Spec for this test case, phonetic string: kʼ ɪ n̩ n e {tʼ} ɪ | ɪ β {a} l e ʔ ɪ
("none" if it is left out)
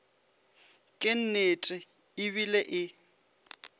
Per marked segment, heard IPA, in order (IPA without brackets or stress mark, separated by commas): tʼ, i